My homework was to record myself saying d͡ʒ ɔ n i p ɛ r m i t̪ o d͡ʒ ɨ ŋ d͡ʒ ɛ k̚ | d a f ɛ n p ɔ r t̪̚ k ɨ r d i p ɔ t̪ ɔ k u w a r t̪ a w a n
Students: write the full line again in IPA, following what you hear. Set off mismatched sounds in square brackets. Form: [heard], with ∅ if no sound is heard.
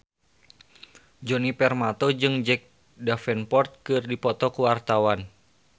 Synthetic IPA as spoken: d͡ʒ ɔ n i p ɛ r m [a] t̪ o d͡ʒ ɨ ŋ d͡ʒ ɛ k̚ | d a f ɛ n p ɔ r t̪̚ k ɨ r d i p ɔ t̪ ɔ k u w a r t̪ a w a n

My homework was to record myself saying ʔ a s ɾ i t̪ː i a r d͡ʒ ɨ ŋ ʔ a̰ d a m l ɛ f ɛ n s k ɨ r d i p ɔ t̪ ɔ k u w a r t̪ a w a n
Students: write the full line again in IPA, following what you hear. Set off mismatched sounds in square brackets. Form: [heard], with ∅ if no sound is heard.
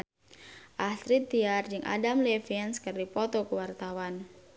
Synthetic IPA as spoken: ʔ a s ɾ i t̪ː i a r d͡ʒ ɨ ŋ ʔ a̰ d a m l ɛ f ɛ n s k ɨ r d i p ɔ t̪ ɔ k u w a r t̪ a w a n

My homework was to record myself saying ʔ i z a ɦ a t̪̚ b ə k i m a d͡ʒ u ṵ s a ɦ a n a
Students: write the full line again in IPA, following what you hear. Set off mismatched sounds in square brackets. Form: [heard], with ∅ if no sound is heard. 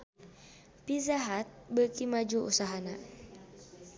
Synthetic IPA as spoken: [p] i z a ɦ a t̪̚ b ə k i m a d͡ʒ u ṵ s a ɦ a n a

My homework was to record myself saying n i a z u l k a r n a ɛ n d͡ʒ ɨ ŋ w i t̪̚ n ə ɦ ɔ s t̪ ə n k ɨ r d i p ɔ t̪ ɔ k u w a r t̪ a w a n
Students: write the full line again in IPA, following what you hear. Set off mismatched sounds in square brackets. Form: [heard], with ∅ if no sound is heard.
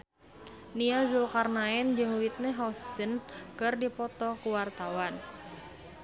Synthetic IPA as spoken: n i a z u l k a r n a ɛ n d͡ʒ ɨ ŋ w i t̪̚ n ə ɦ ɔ s t̪ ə n k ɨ r d i p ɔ t̪ ɔ k u w a r t̪ a w a n

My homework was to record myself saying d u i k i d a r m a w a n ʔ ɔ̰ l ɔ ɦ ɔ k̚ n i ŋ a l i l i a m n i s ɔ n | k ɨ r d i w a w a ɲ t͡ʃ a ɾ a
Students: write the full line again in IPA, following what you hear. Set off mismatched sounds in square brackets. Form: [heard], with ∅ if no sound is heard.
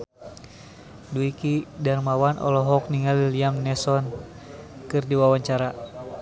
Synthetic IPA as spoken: d u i k i d a r m a w a n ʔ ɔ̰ l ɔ ɦ ɔ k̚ n i ŋ a l i l i a m n [ɛ] s ɔ n | k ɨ r d i w a w a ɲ t͡ʃ a ɾ a

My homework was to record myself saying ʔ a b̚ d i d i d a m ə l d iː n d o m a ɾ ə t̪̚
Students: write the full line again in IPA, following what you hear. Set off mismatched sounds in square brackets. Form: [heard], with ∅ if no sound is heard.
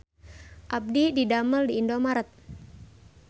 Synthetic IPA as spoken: ʔ a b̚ d i d i d a m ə l d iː n d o m a ɾ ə t̪̚

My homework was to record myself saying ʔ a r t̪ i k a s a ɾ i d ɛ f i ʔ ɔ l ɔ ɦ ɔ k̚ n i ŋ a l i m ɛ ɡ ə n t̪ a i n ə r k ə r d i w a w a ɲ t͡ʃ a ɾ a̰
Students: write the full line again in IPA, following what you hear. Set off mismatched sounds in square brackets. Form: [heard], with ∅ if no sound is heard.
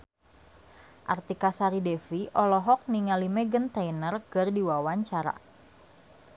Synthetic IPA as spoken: ʔ a r t̪ i k a s a ɾ i d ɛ f i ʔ ɔ l ɔ ɦ ɔ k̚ n i ŋ a l i m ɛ ɡ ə n t̪ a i n ə r k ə r d i w a w a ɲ t͡ʃ a ɾ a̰

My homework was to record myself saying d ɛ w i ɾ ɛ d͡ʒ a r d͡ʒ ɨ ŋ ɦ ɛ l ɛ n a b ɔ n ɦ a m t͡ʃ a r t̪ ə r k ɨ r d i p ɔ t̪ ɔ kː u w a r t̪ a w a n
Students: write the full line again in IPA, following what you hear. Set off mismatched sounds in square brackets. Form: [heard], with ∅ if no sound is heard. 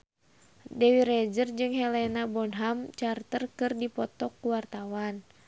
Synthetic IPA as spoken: d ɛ w i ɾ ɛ d͡ʒ [ə] r d͡ʒ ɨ ŋ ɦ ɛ l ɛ n a b ɔ n ɦ a m t͡ʃ a r t̪ ə r k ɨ r d i p ɔ t̪ ɔ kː u w a r t̪ a w a n

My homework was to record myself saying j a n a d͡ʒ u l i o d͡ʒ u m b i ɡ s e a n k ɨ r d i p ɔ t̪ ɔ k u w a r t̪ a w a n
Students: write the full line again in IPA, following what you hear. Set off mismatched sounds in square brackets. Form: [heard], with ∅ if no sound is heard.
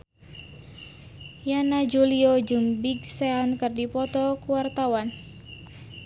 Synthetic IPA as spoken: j a n a d͡ʒ u l i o d͡ʒ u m b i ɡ s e a n k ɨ r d i p ɔ t̪ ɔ k u w a r t̪ a w a n

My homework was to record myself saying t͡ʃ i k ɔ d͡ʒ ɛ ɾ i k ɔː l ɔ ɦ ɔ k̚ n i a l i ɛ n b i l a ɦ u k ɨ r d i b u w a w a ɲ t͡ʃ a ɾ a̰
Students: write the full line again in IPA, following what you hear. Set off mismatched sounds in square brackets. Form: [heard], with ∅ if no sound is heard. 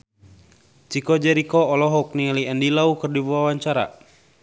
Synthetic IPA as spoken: t͡ʃ i k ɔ d͡ʒ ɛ ɾ i k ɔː l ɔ ɦ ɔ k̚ n i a l i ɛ n [d] i l a [∅] u k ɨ r d i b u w a w a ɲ t͡ʃ a ɾ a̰

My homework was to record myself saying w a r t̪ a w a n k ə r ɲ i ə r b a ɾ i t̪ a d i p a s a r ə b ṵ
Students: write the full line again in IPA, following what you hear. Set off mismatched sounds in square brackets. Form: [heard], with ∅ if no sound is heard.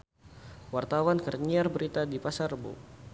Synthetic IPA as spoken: w a r t̪ a w a n k ə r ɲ i [a] r b [ə] ɾ i t̪ a d i p a s a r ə b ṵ

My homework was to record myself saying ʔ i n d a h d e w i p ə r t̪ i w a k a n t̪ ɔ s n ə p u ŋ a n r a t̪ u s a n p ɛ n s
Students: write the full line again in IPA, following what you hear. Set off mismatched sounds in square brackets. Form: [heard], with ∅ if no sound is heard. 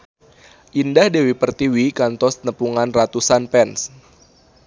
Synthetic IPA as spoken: ʔ i n d a h d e w i p ə r t̪ i w [i] k a n t̪ ɔ s n ə p u ŋ a n r a t̪ u s a n p ɛ n s

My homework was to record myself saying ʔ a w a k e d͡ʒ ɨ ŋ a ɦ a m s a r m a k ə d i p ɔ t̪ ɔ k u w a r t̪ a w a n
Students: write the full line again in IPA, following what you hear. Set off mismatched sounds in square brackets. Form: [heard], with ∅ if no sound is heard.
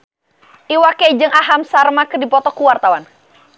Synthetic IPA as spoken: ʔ [i] w a k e d͡ʒ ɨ ŋ a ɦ a m s a r m a k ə d i p ɔ t̪ ɔ k u w a r t̪ a w a n

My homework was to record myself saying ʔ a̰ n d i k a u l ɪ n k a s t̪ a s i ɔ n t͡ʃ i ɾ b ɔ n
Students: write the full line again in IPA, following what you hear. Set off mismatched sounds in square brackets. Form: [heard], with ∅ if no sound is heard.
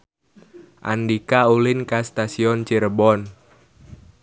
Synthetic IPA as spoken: ʔ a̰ n d i k a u l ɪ n k a s t̪ a s i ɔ n t͡ʃ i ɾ b ɔ n

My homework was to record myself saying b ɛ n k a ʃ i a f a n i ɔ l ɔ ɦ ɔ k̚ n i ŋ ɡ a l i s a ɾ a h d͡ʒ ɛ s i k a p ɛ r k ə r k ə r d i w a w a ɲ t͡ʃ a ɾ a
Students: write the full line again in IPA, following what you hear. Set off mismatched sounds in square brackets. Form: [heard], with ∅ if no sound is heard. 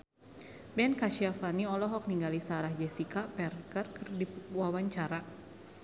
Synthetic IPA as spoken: b ɛ n k a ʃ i a f a n i ɔ l ɔ ɦ ɔ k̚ n i ŋ ɡ a l i s a ɾ a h d͡ʒ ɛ s i k a p ɛ r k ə r k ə r d i w a w a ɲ t͡ʃ a ɾ a

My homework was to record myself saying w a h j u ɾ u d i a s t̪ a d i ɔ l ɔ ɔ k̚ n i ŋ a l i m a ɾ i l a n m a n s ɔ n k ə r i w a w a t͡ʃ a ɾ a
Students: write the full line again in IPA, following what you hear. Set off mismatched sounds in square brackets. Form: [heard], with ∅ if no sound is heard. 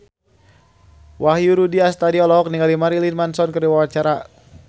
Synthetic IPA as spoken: w a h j u ɾ u d i a s t̪ a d i ɔ l ɔ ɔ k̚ n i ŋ a l i m a ɾ i l [i] n m a n s ɔ n k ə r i w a w a t͡ʃ a ɾ a

